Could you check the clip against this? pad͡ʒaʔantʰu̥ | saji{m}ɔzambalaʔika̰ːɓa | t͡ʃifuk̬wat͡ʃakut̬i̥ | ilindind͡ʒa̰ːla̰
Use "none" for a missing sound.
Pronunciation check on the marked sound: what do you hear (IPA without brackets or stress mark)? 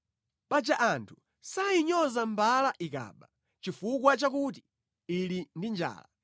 ɲ